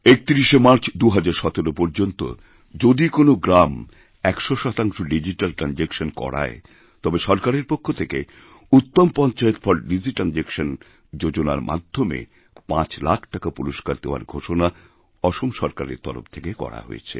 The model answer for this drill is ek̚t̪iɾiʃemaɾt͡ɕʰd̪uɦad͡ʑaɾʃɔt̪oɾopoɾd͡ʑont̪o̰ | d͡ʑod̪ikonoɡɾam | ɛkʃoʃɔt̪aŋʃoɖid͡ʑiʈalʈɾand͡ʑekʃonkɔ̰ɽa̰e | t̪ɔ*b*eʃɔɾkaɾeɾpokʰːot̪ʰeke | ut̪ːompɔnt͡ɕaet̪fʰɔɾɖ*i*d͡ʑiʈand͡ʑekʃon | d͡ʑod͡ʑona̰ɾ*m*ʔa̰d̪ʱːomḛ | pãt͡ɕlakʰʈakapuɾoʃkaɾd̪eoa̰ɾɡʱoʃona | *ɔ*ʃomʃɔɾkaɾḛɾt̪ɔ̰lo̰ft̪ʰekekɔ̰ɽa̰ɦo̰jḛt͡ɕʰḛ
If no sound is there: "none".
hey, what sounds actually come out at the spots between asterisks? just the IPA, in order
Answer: b, i, m, ɔ

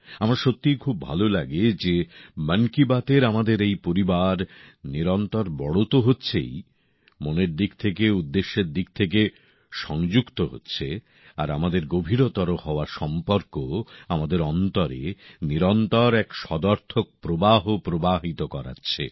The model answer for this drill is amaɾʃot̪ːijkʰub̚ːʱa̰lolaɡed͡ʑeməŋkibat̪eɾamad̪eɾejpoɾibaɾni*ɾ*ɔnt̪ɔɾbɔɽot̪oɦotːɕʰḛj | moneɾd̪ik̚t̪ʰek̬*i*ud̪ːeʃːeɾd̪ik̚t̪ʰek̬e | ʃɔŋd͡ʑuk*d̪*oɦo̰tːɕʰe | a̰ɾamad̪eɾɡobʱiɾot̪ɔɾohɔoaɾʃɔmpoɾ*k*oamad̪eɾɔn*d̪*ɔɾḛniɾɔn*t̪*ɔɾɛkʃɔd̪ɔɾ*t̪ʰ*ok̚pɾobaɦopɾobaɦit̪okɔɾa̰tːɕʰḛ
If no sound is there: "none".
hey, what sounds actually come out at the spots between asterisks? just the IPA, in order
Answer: ɾ, e, t̪, k, t̪, t̪, t̪ʰ

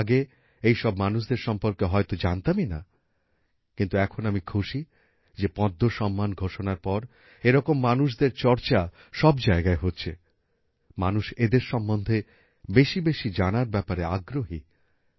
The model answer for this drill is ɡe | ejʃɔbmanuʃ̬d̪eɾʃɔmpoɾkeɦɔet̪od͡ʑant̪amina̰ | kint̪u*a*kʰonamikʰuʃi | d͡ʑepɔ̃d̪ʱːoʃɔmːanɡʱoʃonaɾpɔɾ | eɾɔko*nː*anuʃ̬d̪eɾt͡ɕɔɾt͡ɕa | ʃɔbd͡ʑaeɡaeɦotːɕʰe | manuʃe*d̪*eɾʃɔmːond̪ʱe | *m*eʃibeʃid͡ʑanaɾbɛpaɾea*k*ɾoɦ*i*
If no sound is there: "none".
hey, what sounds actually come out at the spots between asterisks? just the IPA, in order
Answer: ɛ, mː, d̪, b, ɡ, i

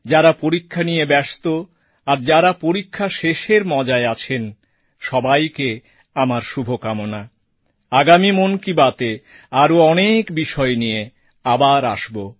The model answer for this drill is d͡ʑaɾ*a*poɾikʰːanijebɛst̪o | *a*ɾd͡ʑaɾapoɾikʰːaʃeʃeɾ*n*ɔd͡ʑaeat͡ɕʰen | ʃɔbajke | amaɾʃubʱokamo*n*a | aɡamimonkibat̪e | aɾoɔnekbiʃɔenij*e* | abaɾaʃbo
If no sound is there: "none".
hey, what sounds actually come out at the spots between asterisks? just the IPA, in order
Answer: a, a, m, n, e

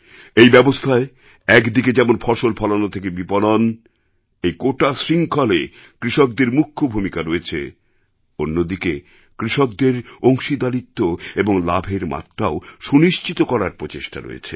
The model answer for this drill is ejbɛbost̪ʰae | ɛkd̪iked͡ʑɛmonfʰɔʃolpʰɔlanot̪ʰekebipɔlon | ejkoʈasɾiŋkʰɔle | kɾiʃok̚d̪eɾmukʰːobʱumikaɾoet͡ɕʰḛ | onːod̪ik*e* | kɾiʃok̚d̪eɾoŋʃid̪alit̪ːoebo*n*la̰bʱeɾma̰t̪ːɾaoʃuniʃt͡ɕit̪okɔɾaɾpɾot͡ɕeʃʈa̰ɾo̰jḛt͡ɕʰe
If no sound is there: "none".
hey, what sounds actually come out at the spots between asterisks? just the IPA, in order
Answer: e, ŋ

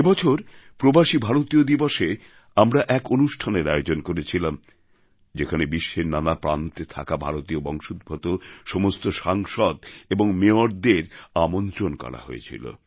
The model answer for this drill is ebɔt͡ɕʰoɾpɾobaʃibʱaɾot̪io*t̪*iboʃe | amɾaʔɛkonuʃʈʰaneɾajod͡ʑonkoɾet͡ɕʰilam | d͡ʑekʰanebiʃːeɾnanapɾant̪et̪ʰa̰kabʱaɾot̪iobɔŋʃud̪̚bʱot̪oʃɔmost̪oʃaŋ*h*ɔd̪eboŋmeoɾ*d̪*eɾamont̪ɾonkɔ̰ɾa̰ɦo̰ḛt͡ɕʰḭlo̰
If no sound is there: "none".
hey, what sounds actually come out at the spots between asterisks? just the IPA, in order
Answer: d̪, ʃ, d̪

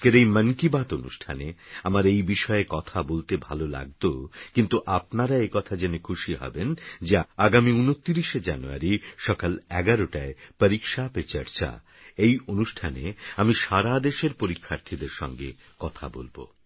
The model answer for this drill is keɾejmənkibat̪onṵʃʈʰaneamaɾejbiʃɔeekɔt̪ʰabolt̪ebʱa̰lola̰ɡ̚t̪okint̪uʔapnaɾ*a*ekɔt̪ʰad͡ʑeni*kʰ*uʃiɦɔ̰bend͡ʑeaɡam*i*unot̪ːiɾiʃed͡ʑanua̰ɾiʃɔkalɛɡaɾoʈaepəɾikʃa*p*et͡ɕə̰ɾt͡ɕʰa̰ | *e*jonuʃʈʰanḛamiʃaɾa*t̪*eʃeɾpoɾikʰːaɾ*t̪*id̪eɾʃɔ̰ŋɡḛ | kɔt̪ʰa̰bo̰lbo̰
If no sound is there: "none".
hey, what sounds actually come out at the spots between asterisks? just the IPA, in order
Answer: a, kʰ, i, p, e, d̪, t̪ʰ

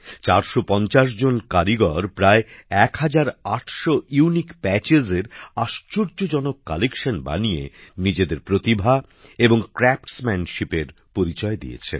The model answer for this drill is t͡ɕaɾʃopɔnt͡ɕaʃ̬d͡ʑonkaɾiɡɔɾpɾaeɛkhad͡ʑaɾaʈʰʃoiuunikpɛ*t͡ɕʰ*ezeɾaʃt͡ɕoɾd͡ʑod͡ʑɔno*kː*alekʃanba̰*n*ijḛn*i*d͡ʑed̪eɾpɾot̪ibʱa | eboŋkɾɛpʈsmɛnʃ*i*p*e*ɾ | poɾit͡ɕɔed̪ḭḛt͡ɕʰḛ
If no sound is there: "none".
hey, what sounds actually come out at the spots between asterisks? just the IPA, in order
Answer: t͡ɕ, kː, n, i, i, e

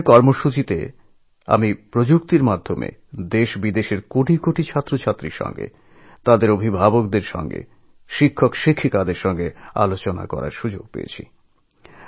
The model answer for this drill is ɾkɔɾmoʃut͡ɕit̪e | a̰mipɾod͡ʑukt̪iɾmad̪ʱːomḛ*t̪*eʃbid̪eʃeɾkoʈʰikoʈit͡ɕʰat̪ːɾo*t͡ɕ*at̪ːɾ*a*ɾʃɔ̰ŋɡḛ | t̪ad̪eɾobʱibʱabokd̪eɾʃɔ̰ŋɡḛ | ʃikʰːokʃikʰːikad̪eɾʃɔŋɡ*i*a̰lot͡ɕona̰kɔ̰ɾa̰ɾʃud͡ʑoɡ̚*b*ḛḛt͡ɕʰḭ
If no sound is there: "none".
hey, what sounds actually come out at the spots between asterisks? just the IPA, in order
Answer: d̪, t͡ɕʰ, i, e, p

